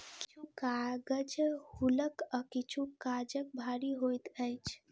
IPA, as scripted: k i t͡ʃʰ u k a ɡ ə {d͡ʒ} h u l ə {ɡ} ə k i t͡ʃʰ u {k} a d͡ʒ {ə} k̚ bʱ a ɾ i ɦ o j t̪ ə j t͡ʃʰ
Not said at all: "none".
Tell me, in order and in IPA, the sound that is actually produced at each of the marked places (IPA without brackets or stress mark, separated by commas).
d͡ʒ, k, k, ə